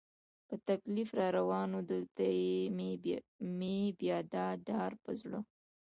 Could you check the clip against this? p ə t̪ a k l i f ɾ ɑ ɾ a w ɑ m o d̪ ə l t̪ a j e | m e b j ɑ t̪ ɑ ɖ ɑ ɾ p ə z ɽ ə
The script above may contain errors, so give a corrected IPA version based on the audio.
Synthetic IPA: p ə t̪ a k l i f ɾ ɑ ɾ a w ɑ n o d̪ ə l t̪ a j e | m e b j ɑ d̪ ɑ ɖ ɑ ɾ p ə z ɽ ə